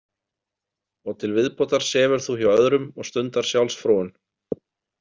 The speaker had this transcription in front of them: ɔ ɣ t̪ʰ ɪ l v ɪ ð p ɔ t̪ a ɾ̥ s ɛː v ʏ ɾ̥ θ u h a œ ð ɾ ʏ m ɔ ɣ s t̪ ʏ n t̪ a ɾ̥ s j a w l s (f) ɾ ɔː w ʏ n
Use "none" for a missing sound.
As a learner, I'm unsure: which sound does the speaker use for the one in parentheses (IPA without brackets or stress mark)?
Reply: f